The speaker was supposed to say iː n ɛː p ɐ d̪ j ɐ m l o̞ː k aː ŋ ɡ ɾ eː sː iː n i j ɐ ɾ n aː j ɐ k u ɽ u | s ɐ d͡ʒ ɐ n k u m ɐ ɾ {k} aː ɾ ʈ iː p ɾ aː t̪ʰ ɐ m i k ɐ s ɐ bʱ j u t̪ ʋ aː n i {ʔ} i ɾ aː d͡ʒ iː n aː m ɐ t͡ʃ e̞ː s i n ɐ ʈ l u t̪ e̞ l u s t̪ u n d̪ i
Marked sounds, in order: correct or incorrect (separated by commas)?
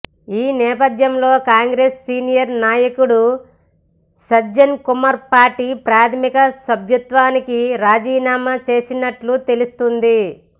incorrect, incorrect